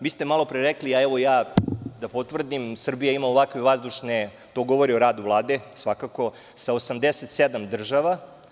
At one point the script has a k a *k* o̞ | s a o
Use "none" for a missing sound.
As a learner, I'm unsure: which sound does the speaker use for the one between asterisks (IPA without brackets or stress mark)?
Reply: k